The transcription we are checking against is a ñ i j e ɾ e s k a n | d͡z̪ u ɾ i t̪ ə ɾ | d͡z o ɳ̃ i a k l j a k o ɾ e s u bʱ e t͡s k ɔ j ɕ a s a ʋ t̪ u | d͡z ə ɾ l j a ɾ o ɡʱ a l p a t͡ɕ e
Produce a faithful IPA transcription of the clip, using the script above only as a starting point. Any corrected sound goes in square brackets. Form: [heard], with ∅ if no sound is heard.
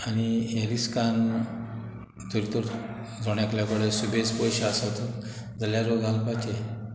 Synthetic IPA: a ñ i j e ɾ [i] s k a n | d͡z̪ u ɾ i t̪ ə ɾ | d͡z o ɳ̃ [j] a k l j a k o [ɽ] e s u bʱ e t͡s [p] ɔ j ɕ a s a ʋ t̪ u | d͡z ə [∅] l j a ɾ o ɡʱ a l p a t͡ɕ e